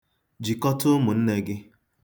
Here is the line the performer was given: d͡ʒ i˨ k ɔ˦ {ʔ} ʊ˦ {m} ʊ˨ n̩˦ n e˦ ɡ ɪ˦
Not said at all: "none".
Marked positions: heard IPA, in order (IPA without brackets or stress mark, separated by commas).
t, m